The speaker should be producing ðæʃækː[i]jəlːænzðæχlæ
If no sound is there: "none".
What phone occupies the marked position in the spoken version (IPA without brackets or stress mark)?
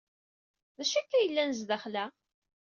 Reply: æ